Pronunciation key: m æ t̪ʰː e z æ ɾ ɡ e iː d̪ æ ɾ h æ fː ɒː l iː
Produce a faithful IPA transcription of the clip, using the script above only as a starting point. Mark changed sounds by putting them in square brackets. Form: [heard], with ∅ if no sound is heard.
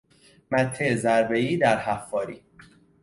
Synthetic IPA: m æ t̪ʰː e z æ ɾ [b] e iː d̪ æ ɾ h æ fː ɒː [ɾ] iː